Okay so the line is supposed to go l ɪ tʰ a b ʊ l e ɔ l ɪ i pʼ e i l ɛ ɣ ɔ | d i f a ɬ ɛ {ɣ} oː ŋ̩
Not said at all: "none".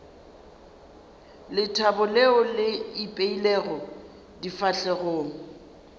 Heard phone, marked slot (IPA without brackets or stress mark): ɣ